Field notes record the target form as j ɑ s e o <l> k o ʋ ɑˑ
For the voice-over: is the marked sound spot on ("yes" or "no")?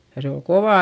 yes